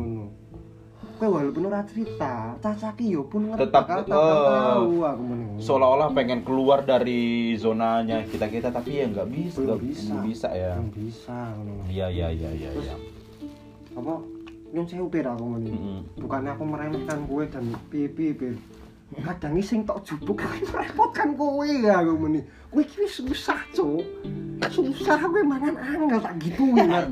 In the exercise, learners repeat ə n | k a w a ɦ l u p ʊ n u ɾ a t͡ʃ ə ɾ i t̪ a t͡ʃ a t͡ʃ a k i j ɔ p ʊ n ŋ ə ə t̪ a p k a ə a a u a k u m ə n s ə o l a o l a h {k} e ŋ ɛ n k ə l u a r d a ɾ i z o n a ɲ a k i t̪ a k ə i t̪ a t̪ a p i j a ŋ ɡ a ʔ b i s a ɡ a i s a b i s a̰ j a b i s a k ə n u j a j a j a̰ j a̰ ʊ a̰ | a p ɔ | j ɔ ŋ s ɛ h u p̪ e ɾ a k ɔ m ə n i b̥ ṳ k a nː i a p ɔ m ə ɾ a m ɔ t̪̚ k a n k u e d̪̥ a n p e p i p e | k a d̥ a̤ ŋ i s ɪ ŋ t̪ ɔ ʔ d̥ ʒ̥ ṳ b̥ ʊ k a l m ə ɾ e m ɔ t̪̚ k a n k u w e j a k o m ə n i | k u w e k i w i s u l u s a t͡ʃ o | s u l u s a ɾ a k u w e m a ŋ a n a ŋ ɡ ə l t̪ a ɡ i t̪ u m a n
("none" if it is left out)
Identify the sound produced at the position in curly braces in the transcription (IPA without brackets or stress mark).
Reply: p